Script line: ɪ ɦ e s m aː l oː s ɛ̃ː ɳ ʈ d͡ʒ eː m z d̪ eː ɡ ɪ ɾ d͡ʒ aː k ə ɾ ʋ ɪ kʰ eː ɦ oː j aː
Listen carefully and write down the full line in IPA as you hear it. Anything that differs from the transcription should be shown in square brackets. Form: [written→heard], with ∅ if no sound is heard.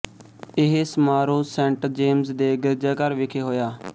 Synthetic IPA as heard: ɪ ɦ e s m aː [l→ɾ] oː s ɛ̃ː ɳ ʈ d͡ʒ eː m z d̪ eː ɡ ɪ ɾ d͡ʒ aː k ə ɾ ʋ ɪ kʰ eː ɦ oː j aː